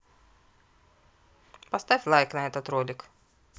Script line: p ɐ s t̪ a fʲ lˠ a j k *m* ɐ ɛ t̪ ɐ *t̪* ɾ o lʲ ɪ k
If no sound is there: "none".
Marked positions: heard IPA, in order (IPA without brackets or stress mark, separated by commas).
n, t̪